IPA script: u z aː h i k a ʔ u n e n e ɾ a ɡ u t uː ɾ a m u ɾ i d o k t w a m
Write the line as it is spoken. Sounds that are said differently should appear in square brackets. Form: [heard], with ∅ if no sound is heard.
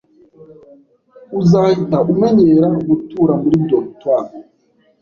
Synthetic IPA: u z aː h i [t] a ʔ u [m] e [ɲ] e ɾ a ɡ u t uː ɾ a m u ɾ i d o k t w a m